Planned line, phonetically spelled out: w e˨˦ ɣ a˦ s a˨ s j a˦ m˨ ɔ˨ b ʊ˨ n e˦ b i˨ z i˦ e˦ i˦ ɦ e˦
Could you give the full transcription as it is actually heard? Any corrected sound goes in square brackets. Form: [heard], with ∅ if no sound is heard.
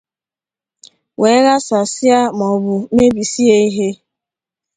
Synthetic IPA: w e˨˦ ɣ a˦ s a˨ s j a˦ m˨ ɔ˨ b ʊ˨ [m] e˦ b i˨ [s] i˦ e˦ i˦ ɦ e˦

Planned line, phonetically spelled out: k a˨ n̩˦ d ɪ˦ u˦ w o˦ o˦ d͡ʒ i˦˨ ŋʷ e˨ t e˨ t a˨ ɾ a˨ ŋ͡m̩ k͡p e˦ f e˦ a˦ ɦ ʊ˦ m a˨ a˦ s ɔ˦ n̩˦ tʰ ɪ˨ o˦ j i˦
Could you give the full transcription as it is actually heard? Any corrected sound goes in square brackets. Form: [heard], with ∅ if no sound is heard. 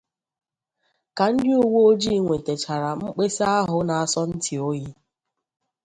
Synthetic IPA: k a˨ n̩˦ d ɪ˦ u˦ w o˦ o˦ d͡ʒ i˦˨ ŋʷ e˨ t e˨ [t͡ʃ] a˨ ɾ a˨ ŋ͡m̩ k͡p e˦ [s] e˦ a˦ ɦ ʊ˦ [n] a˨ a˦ s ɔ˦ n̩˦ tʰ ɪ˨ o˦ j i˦

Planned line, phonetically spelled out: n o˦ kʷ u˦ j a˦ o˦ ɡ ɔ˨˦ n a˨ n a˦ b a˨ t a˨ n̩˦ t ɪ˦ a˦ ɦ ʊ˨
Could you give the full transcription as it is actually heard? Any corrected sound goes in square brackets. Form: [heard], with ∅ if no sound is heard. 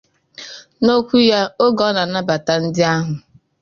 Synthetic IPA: n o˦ kʷ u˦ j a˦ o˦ ɡ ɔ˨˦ n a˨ n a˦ b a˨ t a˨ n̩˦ [d] ɪ˦ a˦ ɦ ʊ˨

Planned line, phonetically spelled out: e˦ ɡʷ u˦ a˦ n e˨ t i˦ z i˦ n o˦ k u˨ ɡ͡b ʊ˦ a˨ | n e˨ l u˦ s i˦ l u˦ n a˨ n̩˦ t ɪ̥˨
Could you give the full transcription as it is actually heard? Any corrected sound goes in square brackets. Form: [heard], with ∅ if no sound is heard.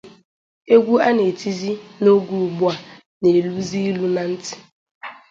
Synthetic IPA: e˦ ɡʷ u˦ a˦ n e˨ t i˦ z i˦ n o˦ [ɡ] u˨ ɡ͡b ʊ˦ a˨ | n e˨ l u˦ [z] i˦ l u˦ n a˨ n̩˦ t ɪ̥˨

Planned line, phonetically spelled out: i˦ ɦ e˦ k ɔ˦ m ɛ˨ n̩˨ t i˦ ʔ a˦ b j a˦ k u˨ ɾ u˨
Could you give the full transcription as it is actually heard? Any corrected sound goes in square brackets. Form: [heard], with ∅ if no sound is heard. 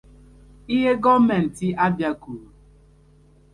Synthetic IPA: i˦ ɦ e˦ [ɡ] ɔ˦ m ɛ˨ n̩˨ t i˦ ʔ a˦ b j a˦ k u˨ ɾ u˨

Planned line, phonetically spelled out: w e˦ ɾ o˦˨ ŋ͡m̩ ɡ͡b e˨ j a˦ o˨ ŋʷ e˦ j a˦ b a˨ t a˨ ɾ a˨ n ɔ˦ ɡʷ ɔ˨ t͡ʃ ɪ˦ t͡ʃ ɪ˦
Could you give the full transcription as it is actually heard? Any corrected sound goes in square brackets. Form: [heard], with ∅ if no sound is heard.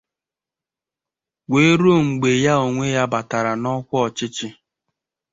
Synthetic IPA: w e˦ ɾ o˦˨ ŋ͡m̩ ɡ͡b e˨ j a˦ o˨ ŋʷ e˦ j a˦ b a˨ t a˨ ɾ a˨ n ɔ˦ [kʷ] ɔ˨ t͡ʃ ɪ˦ t͡ʃ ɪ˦

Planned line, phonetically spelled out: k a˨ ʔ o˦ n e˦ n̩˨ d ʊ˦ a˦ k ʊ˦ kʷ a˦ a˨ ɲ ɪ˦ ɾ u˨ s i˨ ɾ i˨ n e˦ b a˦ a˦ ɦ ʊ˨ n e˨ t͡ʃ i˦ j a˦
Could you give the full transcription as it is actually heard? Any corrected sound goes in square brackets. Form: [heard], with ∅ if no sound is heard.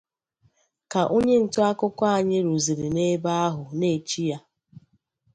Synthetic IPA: k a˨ ʔ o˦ [ɲ] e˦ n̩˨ [t] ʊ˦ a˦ k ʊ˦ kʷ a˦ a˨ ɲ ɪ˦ ɾ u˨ [z] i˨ ɾ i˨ n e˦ b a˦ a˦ ɦ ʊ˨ n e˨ t͡ʃ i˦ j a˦

